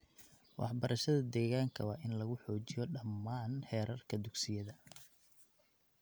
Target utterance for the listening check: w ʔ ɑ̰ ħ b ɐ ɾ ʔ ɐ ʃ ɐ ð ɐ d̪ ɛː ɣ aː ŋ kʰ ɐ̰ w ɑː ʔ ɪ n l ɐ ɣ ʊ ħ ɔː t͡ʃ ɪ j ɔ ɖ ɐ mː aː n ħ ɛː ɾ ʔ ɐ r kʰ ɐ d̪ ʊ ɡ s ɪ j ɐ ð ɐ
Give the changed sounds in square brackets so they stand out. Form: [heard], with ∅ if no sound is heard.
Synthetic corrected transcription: w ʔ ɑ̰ ħ b ɐ ɾ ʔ ɐ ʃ ɐ ð ɐ d̪ ɛː ɣ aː ŋ kʰ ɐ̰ w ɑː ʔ ɪ n l ɐ ɣ ʊ ħ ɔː t͡ʃ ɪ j ɔ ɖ ɐ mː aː n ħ ɛː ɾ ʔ ɐ r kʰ ɐ d̪ ʊ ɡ s ɪ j ɐ ð ɐ